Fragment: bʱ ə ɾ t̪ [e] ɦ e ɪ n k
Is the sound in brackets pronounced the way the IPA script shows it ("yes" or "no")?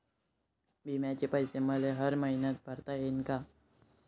no